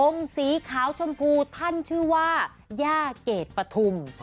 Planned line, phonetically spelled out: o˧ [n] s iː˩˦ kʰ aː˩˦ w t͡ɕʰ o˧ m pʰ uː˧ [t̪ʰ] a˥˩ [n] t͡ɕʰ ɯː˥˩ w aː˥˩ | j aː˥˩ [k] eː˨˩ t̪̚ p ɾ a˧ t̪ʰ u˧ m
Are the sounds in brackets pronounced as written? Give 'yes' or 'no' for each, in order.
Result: no, yes, yes, yes

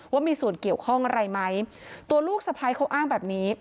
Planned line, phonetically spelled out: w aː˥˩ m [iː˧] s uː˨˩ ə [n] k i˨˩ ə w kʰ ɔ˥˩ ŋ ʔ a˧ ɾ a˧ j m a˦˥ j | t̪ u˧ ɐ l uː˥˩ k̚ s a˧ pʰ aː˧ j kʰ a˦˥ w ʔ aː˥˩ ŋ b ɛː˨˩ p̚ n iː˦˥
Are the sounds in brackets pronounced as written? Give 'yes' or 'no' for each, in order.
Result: yes, yes

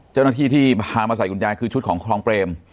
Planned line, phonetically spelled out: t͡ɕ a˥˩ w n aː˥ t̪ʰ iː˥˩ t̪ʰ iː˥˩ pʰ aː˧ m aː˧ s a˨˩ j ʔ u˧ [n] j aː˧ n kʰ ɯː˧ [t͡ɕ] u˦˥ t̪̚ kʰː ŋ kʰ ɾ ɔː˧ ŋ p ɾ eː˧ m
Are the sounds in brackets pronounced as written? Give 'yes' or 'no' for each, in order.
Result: yes, no

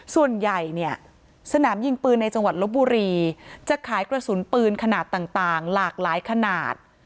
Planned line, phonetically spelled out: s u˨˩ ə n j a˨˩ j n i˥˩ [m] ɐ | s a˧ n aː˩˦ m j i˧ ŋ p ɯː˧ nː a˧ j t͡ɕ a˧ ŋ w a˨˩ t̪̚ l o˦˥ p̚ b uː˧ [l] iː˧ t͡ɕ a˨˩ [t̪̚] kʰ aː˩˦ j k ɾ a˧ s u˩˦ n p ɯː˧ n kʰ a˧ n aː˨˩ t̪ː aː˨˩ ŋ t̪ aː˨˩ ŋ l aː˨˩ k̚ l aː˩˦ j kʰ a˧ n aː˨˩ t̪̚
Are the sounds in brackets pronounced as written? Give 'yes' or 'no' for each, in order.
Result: no, no, no

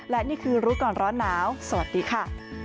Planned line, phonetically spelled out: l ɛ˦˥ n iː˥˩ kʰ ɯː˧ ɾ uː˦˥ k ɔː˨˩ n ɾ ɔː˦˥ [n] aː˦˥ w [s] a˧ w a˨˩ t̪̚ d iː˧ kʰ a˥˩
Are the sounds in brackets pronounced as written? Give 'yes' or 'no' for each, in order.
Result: no, yes

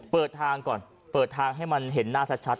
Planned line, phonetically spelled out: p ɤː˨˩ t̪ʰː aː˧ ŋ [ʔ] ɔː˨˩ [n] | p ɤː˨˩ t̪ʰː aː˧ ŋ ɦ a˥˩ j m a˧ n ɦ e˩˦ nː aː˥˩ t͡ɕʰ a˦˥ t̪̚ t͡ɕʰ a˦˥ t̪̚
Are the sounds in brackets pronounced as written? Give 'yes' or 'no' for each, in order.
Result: no, yes

